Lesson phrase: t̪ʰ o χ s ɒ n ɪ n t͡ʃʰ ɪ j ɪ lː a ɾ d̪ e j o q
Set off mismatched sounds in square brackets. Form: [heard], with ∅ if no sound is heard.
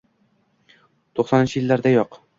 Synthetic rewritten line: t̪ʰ o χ s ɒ n ɪ n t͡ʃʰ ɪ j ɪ lː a ɾ d̪ [a] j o q